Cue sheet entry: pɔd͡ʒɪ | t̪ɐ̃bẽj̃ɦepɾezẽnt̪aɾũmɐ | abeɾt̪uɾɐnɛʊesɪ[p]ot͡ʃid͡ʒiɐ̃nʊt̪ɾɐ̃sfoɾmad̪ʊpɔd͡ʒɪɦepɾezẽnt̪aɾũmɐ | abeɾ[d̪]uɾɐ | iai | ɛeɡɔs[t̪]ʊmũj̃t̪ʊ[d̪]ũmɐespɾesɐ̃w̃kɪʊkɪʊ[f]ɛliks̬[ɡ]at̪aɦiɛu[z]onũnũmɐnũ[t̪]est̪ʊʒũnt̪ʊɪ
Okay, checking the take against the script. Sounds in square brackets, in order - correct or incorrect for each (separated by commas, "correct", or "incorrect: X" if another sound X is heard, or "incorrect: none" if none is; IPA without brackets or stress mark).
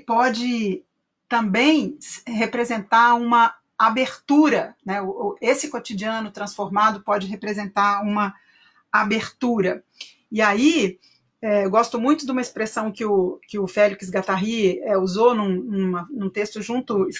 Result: incorrect: k, incorrect: t̪, correct, correct, correct, correct, correct, correct